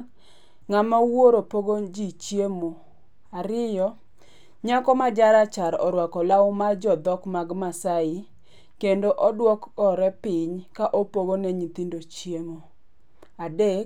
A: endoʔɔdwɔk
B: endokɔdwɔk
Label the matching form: A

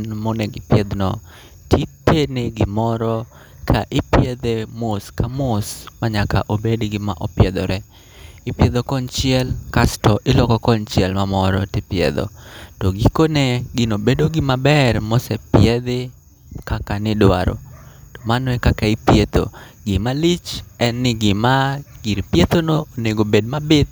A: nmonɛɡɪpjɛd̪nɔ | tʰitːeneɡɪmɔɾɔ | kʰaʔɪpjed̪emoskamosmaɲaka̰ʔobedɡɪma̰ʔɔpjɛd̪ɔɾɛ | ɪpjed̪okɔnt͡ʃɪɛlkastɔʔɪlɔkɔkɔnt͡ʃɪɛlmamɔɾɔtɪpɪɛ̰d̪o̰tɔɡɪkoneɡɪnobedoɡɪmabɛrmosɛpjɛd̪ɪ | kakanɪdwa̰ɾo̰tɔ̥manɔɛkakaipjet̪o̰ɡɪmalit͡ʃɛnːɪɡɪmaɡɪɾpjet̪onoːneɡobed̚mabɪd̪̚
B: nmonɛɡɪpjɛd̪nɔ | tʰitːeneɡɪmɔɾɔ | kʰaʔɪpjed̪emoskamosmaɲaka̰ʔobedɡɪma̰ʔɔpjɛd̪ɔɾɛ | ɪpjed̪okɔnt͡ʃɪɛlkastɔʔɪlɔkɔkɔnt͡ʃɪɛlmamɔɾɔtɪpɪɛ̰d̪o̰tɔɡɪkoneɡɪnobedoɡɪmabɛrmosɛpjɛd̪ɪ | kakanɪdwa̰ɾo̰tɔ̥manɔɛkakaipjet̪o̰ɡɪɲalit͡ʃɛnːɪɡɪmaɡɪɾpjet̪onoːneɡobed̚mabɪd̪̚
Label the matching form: A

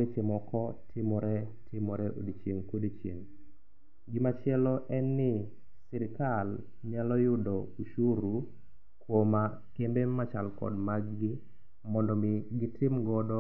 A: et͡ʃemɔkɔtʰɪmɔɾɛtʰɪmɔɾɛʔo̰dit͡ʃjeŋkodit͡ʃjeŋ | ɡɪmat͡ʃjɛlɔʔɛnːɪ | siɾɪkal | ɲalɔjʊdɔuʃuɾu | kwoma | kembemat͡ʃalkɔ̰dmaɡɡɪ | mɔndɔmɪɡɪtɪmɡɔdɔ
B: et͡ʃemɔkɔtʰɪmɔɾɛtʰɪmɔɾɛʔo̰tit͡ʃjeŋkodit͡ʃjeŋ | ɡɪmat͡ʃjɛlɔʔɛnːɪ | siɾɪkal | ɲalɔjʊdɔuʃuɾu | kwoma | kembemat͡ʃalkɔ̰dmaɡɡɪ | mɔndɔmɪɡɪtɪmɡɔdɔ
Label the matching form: A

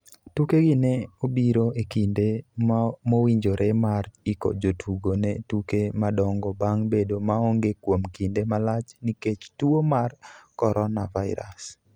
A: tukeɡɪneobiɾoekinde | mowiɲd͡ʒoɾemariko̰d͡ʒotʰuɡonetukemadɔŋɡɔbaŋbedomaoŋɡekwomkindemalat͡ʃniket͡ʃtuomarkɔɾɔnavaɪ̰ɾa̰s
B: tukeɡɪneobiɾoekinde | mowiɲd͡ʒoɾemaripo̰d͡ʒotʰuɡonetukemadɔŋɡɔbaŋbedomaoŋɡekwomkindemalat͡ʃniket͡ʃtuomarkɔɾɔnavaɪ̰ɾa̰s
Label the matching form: A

